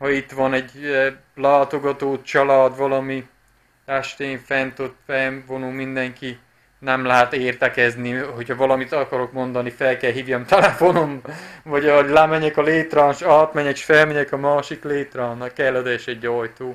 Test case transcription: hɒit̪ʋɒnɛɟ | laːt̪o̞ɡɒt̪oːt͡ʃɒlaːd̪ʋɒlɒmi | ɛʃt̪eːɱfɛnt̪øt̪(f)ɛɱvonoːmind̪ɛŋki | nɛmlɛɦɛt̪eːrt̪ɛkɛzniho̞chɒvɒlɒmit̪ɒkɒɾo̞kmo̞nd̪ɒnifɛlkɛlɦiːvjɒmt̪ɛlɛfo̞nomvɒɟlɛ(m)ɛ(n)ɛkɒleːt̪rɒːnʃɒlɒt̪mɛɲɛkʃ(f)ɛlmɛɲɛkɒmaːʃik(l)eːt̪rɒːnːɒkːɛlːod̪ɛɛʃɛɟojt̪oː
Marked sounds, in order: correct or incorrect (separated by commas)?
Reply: correct, correct, incorrect, correct, correct